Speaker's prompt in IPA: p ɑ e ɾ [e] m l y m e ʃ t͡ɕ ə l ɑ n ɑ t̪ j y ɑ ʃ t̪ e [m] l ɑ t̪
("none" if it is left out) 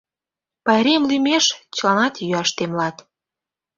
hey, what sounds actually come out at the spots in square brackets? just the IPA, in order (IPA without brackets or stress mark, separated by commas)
e, m